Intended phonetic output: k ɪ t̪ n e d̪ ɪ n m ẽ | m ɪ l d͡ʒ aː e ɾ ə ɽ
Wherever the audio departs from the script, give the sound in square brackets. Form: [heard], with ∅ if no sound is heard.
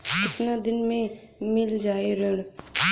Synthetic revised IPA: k ɪ t̪ n [a] d̪ ɪ n m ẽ | m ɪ l d͡ʒ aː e ɾ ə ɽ